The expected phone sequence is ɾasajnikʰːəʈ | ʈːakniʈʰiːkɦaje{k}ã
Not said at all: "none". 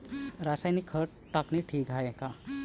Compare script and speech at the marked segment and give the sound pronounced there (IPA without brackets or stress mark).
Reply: k